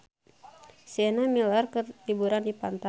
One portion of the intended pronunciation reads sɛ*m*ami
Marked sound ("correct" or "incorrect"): incorrect